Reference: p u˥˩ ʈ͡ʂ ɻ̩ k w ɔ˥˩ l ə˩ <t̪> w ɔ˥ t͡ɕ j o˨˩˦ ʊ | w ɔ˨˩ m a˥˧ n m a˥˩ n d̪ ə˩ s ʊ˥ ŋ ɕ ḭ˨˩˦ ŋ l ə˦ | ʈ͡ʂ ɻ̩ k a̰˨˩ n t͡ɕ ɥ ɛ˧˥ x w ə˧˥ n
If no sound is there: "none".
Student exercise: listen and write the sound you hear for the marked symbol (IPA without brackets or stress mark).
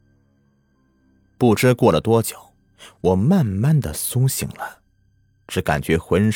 t̪